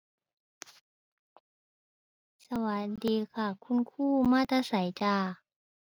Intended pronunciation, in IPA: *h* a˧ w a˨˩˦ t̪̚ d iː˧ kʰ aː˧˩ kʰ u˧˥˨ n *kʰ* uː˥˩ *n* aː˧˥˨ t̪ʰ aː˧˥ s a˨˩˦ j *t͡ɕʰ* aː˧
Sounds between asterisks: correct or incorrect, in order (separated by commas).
incorrect, correct, incorrect, incorrect